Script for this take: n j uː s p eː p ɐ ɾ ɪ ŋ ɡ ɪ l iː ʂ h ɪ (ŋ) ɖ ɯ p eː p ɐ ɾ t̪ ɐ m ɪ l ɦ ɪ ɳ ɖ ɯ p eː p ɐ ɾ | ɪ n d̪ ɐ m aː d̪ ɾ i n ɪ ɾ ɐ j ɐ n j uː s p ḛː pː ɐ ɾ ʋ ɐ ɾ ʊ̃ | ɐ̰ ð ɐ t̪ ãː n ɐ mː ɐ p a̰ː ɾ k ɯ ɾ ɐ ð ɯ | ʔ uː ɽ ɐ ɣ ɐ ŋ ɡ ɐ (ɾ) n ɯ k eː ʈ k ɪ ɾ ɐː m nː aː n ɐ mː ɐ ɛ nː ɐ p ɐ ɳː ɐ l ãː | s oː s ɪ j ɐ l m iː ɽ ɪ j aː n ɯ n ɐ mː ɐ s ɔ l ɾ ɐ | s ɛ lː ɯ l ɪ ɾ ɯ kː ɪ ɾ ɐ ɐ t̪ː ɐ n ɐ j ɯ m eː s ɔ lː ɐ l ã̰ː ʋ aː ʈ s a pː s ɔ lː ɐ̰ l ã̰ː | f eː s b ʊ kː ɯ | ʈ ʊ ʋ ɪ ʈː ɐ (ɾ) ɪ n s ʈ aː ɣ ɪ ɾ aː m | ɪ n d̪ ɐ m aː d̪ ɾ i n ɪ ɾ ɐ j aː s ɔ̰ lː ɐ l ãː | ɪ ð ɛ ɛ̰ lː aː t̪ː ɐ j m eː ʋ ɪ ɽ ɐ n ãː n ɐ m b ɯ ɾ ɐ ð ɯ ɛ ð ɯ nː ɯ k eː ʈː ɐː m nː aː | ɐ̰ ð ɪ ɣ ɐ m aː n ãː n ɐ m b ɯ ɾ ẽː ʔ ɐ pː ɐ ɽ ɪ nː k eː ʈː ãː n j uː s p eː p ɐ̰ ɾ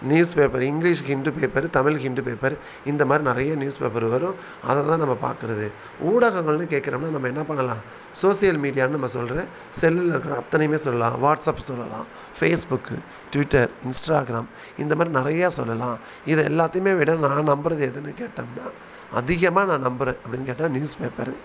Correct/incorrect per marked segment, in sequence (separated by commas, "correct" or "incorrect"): incorrect, incorrect, correct